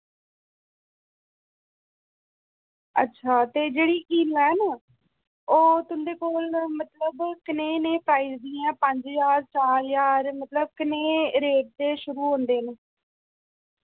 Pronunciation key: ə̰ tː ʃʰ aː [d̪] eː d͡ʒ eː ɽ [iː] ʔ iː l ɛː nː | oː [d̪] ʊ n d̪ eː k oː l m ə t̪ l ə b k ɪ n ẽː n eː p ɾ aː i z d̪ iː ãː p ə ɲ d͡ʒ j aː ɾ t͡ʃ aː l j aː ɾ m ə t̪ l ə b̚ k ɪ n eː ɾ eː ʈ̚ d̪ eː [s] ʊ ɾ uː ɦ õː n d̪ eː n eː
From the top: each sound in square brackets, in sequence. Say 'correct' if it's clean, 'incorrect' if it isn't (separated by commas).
incorrect, correct, incorrect, incorrect